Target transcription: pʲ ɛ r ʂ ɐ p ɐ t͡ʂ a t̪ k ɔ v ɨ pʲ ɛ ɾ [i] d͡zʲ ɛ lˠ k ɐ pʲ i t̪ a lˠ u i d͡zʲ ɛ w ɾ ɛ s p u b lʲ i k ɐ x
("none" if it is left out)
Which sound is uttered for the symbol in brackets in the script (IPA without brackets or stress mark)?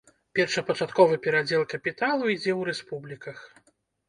a